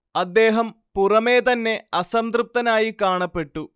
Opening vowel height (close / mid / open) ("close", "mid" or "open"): open